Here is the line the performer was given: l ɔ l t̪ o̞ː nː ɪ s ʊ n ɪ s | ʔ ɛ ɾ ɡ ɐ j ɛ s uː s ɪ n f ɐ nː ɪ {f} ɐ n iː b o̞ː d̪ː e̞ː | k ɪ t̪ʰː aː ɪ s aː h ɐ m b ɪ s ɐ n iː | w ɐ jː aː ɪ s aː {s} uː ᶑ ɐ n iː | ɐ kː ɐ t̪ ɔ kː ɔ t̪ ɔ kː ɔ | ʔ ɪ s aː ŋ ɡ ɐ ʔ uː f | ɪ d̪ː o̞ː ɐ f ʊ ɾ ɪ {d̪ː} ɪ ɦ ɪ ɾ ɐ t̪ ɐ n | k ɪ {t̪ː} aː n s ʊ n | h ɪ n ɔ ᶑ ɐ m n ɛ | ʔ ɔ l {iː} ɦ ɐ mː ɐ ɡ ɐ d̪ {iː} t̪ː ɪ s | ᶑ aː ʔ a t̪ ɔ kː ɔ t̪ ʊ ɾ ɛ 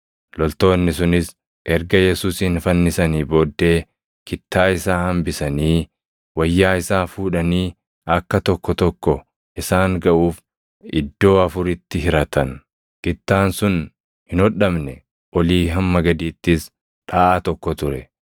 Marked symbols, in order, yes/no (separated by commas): no, no, no, yes, yes, yes